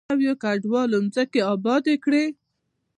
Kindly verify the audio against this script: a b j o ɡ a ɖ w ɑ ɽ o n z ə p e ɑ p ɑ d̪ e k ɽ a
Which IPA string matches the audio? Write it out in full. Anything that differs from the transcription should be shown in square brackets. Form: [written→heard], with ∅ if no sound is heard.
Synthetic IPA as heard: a [b→w] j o [ɡ→k] a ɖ w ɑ [ɽ→l] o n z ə [p→k] e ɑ [p→b] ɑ d̪ e k ɽ [a→e]